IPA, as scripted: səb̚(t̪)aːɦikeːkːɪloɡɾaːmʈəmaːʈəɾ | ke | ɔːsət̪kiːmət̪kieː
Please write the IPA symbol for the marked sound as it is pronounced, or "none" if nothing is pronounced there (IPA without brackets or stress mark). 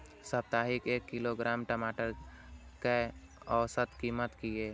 t̪